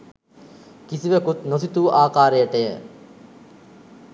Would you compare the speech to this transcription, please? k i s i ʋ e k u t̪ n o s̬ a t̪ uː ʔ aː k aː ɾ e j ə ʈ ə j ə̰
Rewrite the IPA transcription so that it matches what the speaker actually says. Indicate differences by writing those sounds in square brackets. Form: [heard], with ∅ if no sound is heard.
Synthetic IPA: k i s i ʋ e k u t̪ n o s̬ [i] t̪ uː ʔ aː k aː ɾ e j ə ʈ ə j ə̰